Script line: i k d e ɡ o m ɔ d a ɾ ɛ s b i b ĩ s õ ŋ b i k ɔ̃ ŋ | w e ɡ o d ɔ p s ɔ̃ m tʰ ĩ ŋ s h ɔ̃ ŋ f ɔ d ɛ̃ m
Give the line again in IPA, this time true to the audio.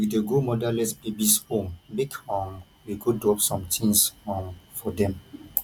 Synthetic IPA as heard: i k d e ɡ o m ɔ d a l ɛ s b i b i s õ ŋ b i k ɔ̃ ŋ | w i ɡ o d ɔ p s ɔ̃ m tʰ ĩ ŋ s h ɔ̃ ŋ f ɔ d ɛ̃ m